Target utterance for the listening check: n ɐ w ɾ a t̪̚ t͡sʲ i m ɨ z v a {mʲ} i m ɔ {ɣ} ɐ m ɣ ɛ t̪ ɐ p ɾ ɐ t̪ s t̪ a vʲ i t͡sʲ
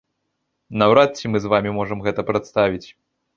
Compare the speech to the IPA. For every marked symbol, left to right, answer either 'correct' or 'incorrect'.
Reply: correct, incorrect: ʐ

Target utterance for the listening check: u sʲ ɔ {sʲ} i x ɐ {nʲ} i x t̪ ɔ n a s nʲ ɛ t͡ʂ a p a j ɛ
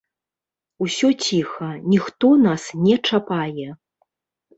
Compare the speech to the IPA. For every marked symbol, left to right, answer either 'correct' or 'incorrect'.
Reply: incorrect: t͡sʲ, correct

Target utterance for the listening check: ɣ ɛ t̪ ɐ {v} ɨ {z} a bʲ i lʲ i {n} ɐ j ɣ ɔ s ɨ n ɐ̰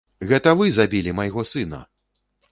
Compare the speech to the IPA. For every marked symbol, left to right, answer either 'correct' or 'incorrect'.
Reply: correct, correct, incorrect: m

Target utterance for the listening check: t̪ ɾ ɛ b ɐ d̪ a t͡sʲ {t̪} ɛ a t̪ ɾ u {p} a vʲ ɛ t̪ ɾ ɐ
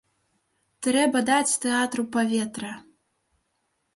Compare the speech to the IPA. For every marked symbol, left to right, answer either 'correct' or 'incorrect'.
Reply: correct, correct

